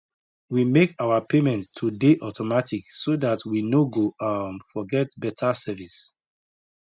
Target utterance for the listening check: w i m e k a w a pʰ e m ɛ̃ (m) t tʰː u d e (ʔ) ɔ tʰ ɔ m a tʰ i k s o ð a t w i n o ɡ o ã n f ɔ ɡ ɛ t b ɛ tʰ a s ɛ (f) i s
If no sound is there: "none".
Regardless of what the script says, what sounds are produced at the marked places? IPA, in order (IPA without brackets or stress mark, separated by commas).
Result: n, ʔ, v